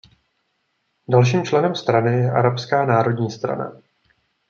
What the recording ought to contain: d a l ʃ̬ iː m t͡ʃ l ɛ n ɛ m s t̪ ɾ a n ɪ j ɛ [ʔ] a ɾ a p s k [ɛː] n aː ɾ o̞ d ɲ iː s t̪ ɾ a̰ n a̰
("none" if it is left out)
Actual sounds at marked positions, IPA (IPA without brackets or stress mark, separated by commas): ʔ, aː